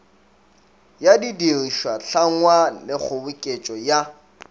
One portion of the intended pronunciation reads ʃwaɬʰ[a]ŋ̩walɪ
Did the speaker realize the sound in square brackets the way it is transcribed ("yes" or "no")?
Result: yes